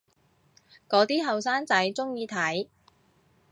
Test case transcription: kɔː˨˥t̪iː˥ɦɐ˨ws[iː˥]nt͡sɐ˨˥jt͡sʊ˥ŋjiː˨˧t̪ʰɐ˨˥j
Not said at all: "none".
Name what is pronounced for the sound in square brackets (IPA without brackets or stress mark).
aː˥